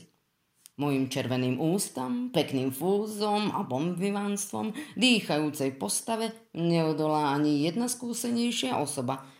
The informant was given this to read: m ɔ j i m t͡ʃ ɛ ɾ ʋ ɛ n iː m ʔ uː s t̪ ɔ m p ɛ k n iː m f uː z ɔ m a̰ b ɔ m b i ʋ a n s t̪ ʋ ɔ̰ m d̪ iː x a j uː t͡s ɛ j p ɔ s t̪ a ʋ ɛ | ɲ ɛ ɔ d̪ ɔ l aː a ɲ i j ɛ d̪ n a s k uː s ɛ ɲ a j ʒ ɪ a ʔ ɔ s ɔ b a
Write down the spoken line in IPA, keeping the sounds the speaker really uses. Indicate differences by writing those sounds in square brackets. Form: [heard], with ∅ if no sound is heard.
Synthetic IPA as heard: m ɔ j i m t͡ʃ ɛ ɾ ʋ ɛ n iː m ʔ uː s t̪ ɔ m p ɛ k n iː m f uː z ɔ m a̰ b ɔ m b i ʋ a n s t̪ ʋ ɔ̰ m d̪ iː x a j uː t͡s ɛ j p ɔ s t̪ a ʋ ɛ | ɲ ɛ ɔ d̪ ɔ l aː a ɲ i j ɛ d̪ n a s k uː s ɛ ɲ [ɛ] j [ʃ] ɪ a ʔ ɔ s ɔ b a